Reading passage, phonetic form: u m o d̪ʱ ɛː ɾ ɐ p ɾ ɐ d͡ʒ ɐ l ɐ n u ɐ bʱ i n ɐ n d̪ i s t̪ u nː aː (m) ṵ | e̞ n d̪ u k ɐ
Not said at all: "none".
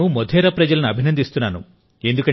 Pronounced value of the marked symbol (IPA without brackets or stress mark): n